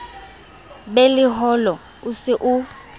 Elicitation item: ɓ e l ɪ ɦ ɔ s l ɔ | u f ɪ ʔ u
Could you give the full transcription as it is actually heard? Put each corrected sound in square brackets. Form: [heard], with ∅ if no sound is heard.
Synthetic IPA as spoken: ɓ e l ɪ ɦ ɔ [∅] l ɔ | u [s] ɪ ʔ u